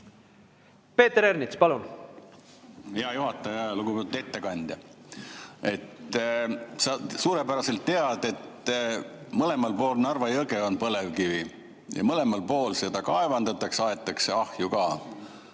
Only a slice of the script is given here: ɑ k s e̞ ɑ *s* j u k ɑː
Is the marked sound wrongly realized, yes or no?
yes